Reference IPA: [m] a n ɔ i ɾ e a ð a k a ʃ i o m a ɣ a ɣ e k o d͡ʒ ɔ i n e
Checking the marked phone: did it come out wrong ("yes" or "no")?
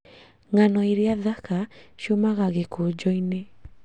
yes